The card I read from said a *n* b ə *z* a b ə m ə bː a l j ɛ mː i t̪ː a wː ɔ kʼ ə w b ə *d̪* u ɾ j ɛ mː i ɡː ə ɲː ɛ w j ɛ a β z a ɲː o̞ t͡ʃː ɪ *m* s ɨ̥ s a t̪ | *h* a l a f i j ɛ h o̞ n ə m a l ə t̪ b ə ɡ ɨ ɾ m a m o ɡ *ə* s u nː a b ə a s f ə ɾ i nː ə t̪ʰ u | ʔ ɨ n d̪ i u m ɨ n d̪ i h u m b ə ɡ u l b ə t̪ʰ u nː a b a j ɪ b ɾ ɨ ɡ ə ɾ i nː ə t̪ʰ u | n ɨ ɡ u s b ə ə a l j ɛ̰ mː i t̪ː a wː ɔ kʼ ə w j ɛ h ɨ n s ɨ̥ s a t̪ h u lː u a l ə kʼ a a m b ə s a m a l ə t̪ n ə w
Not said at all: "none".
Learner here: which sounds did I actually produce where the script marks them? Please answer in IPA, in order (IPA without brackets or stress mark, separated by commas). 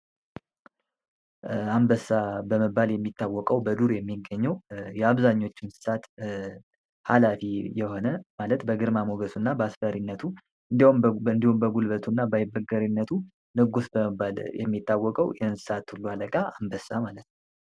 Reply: m, s, d̪, n, h, ə